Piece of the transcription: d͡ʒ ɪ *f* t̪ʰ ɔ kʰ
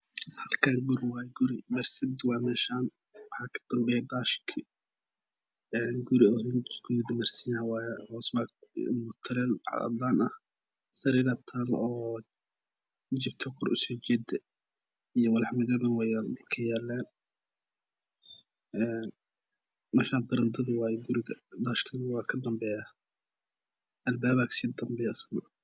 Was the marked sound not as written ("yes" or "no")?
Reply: no